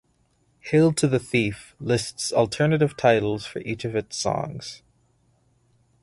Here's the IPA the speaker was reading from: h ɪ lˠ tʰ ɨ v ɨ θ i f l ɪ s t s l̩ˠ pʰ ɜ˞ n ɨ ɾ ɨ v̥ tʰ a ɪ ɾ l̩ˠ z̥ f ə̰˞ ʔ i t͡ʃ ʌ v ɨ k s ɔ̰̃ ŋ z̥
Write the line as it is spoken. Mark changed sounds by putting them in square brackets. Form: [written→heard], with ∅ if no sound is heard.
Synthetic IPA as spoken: h ɪ lˠ tʰ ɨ [v→ð] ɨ θ i f l ɪ s t s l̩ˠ [pʰ→tʰ] ɜ˞ n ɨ ɾ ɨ v̥ tʰ a ɪ ɾ l̩ˠ z̥ f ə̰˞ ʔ i t͡ʃ ʌ v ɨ [k→t] s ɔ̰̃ ŋ z̥

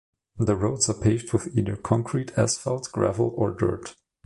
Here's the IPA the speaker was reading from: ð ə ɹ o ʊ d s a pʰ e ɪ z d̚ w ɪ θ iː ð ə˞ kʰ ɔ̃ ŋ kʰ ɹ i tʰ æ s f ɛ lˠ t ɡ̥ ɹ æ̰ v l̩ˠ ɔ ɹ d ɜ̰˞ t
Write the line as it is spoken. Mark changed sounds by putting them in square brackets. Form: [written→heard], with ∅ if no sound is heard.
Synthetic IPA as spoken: ð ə ɹ o ʊ d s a pʰ e ɪ [z→v] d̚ w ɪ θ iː ð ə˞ kʰ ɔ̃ ŋ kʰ ɹ i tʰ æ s f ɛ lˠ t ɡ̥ ɹ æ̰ v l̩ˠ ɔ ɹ d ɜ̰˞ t

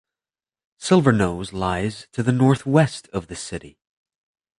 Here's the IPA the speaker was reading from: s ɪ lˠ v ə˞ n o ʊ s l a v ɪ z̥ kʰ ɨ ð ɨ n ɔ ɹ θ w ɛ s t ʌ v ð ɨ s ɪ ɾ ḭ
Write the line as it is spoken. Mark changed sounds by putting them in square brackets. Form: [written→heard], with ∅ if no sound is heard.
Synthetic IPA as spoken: s ɪ lˠ v ə˞ n o ʊ [s→z] l a [v→∅] ɪ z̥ [kʰ→tʰ] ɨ ð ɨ n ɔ ɹ θ w ɛ s t ʌ v ð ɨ s ɪ ɾ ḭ

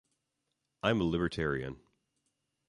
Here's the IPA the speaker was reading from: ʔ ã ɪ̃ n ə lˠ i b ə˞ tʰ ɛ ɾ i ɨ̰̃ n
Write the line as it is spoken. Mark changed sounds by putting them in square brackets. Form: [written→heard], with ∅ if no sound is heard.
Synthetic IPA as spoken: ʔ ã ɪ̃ [n→m] ə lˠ [i→ɪ] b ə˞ tʰ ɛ [ɾ→ɹ] i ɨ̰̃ n

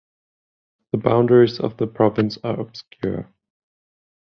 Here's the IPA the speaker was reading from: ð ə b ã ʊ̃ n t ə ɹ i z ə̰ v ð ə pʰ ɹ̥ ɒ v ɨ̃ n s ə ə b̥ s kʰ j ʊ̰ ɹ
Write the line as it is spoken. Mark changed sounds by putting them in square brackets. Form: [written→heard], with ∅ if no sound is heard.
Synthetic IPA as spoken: ð ə b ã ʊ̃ n [t→d] ə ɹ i z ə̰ v ð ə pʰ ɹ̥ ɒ v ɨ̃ n s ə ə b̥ s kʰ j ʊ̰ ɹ

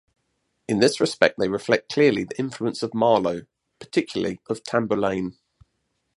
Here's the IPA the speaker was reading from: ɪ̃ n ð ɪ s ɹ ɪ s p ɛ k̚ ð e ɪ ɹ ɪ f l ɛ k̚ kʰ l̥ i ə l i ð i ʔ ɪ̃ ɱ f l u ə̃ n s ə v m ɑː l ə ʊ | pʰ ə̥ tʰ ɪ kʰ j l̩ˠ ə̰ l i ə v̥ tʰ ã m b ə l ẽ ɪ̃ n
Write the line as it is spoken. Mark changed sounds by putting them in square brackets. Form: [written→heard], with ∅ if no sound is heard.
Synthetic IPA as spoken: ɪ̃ n ð ɪ s ɹ ɪ s p ɛ k̚ ð e ɪ ɹ ɪ f l ɛ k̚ kʰ l̥ [i→ɪ] ə l i ð i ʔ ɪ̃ ɱ f l u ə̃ n s ə v m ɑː l ə ʊ | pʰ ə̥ tʰ ɪ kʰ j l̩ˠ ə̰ l i ə v̥ tʰ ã m b ə l ẽ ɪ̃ n

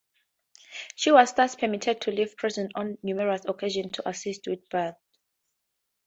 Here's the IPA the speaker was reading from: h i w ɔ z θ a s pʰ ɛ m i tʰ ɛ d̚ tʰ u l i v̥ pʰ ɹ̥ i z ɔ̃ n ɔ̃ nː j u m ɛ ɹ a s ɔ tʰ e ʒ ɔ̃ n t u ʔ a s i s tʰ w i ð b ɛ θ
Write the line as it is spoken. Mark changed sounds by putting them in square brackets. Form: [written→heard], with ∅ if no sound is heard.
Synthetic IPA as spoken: [h→ʃ] i w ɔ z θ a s pʰ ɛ m i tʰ ɛ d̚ tʰ u l i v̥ pʰ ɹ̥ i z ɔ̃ n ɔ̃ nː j u m ɛ ɹ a s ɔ [tʰ→kʰ] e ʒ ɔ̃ n [t→tʰ] u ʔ a s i s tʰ w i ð b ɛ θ

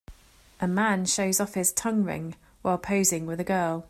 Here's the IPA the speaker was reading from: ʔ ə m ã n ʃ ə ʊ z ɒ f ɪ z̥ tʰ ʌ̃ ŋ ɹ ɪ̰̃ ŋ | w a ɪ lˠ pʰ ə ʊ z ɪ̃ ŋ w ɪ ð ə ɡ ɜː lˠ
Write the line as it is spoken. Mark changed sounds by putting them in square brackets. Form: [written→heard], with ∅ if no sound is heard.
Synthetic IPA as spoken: ʔ ə m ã n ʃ ə ʊ z ɒ f ɪ z̥ tʰ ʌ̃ ŋ ɹ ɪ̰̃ ŋ | w a ɪ lˠ pʰ ə ʊ z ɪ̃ ŋ w ɪ ð ə ɡ ɜː lˠ

